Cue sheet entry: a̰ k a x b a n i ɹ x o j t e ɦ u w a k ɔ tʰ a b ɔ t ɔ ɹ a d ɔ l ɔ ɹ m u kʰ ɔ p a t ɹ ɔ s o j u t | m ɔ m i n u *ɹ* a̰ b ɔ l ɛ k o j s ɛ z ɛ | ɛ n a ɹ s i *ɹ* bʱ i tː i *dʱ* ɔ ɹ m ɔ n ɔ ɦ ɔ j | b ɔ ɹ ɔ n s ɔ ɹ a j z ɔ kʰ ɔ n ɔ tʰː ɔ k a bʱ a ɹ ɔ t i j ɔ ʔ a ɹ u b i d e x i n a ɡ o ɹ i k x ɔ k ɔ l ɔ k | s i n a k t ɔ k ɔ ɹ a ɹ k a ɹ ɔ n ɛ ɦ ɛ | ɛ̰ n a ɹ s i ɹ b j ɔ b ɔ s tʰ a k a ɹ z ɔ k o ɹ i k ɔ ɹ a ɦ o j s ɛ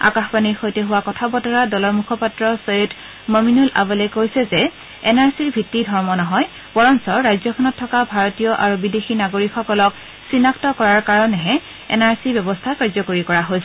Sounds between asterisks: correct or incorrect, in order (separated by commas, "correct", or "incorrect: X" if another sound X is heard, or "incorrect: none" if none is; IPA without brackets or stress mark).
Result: incorrect: l, correct, correct